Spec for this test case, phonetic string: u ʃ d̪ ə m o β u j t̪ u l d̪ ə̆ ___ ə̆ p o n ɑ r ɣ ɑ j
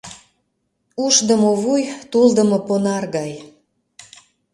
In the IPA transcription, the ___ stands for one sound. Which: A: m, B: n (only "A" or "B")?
A